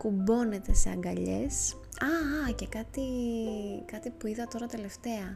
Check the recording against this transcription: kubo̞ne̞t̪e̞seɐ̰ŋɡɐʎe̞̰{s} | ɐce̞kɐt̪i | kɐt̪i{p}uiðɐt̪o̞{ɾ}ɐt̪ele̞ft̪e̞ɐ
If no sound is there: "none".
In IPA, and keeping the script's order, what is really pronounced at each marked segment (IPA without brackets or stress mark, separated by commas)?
s, p, ɾ